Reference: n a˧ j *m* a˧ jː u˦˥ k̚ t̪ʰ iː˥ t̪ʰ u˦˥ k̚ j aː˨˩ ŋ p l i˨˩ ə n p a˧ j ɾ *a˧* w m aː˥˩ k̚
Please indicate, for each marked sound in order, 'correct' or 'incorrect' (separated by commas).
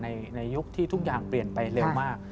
incorrect, incorrect